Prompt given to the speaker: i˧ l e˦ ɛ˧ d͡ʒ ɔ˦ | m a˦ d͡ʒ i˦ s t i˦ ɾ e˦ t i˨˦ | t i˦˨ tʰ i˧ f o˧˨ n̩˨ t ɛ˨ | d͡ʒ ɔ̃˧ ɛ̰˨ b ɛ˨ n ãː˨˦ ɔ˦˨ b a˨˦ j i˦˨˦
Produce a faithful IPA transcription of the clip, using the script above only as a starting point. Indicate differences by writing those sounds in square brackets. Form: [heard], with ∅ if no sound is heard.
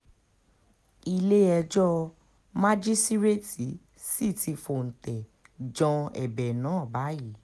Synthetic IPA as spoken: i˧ l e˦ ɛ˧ d͡ʒ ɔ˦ | m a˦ d͡ʒ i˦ s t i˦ ɾ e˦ t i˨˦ | [s] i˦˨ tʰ i˧ f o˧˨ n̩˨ t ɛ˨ | d͡ʒ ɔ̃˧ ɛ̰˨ b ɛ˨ n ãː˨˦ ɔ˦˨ b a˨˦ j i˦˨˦